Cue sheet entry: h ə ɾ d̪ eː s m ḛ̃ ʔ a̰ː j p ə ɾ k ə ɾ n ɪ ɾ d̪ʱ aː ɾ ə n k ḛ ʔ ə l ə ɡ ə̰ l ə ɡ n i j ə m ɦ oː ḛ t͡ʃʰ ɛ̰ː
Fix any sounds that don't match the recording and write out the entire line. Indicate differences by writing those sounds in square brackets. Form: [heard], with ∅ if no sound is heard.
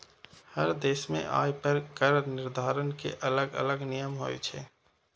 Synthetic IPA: h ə ɾ d̪ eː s m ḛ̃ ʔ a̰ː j p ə ɾ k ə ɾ n ɪ ɾ d̪ʱ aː ɾ ə n k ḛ ʔ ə l ə ɡ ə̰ l ə ɡ n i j ə m ɦ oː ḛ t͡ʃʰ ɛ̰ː